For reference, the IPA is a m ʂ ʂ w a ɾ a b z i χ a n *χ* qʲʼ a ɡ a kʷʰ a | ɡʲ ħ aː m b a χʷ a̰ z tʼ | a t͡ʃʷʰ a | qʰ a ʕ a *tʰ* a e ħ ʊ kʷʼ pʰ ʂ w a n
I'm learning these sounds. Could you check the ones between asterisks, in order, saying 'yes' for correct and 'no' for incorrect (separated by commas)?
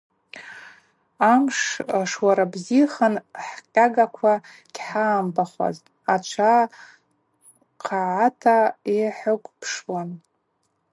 no, yes